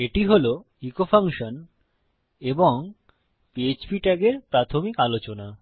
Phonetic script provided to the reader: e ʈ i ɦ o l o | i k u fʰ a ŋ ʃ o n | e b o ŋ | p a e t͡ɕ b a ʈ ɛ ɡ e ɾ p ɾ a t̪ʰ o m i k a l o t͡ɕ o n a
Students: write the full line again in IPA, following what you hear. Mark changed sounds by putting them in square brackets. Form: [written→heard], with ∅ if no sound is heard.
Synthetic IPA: e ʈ i ɦ o l o | i k [u→o] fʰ a ŋ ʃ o n | e b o ŋ | p [a→i] e t͡ɕ b [a→i] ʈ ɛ ɡ e ɾ p ɾ a t̪ʰ o m i k a l o t͡ɕ o n a